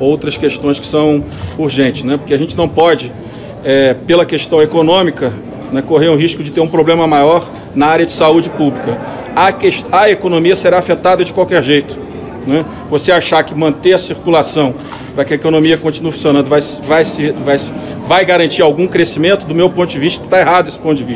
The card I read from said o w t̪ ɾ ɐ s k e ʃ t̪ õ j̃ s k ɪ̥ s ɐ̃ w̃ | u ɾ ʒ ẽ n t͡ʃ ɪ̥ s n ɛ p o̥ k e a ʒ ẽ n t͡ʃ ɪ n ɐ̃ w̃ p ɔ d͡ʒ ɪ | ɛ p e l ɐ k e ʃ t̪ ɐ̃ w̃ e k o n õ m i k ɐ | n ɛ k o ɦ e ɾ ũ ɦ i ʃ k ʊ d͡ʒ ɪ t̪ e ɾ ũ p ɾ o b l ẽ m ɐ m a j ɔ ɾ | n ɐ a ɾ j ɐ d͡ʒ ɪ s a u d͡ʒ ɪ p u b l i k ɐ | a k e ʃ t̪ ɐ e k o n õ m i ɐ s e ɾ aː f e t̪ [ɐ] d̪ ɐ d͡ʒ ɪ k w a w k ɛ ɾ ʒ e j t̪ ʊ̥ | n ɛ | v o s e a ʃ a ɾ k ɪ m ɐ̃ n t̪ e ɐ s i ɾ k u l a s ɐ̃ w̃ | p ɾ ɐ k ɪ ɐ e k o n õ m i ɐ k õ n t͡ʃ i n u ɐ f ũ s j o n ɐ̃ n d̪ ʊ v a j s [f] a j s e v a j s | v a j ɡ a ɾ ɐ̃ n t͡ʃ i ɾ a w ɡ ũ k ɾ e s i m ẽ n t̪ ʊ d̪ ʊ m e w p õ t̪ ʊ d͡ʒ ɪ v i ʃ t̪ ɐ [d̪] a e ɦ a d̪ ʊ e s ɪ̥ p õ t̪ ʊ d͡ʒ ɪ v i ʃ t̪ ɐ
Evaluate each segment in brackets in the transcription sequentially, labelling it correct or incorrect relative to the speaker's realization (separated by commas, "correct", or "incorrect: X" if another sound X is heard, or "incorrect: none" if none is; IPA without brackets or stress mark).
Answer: incorrect: a, incorrect: v, incorrect: t̪